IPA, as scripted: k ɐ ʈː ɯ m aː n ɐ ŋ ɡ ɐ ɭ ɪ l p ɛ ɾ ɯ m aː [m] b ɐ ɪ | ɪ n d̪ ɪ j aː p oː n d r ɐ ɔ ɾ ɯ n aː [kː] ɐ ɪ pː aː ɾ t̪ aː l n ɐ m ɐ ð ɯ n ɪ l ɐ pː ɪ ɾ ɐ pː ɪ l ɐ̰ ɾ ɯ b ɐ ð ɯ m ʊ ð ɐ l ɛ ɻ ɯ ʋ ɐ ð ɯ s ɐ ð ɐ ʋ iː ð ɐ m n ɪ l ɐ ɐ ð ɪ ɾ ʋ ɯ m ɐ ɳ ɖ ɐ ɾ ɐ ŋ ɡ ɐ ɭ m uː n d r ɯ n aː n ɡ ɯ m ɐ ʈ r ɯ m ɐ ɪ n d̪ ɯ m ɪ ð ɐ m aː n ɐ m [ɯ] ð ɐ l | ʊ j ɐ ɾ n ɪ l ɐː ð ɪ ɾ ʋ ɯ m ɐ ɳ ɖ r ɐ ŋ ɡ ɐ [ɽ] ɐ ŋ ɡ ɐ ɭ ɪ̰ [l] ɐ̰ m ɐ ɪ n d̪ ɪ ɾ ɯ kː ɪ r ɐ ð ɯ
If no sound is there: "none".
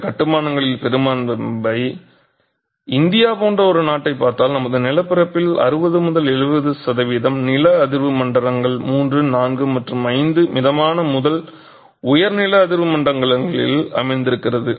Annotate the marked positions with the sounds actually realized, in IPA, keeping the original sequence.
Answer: n, ʈː, ʊ, ɭ, l

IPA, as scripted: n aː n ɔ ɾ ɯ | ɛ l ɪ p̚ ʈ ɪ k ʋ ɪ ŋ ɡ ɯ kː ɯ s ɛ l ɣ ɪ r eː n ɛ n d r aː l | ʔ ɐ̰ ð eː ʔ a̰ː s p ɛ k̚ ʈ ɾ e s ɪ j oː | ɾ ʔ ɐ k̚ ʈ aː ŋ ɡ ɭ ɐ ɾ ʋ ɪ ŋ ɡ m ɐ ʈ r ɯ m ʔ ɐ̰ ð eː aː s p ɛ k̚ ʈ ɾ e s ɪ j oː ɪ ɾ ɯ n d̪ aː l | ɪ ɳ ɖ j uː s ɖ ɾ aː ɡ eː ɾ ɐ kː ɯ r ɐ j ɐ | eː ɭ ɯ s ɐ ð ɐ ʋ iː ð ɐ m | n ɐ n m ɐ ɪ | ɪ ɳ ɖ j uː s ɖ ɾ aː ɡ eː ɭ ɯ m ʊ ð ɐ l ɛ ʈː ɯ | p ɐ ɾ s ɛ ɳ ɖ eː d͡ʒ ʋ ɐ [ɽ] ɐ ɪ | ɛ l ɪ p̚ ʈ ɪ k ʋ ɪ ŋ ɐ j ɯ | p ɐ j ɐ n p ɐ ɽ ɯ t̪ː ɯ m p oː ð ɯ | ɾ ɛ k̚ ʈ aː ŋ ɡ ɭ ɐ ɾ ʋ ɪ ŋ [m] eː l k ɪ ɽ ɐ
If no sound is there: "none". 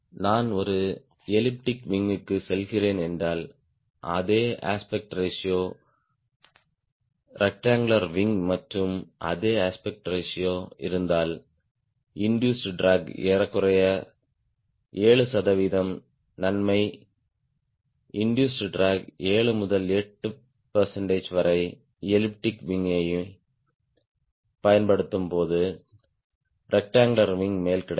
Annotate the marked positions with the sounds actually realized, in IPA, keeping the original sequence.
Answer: ɾ, m

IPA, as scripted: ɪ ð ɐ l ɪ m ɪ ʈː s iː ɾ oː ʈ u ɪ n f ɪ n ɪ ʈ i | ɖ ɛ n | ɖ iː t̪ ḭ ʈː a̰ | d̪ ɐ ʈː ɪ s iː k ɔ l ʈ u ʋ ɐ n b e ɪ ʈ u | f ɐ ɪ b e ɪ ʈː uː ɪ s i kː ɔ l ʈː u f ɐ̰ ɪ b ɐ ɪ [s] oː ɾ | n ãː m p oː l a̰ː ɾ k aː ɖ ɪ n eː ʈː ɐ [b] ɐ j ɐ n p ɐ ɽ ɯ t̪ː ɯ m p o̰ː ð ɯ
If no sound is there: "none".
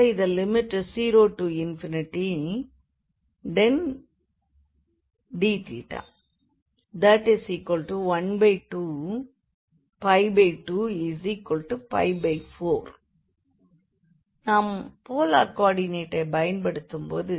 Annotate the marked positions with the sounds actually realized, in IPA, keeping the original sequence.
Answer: f, b

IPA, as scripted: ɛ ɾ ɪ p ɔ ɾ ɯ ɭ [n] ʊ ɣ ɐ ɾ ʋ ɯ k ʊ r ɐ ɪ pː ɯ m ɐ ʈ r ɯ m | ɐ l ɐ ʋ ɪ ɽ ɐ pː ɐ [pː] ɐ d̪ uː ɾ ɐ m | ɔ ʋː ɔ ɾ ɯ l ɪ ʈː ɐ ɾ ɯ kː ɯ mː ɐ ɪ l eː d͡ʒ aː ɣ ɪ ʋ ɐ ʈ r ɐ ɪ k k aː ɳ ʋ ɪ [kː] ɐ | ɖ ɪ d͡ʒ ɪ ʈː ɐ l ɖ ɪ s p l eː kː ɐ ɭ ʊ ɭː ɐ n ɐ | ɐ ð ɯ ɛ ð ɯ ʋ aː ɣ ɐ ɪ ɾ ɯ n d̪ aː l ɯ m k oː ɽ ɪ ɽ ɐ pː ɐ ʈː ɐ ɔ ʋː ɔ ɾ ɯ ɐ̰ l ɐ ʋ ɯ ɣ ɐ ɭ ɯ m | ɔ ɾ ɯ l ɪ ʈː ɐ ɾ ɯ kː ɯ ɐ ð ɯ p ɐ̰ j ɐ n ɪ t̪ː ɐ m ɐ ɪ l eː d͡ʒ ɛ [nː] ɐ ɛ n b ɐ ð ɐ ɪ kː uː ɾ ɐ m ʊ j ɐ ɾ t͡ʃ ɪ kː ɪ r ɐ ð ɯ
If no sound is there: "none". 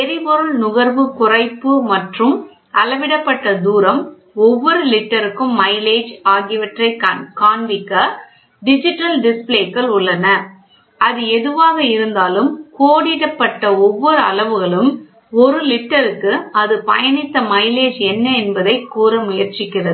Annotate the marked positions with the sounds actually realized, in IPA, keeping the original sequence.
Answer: n, ʈː, kː, nː

